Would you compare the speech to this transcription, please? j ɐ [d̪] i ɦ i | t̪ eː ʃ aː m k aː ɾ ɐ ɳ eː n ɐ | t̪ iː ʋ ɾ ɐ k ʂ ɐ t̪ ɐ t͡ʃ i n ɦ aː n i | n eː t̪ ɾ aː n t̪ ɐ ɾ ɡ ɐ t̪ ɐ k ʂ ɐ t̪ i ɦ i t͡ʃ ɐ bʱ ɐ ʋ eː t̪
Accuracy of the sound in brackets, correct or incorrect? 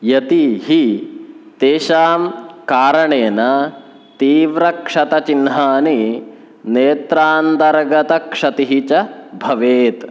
incorrect